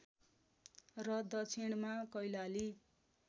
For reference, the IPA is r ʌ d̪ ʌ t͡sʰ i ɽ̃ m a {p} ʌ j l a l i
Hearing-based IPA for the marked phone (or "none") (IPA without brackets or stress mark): k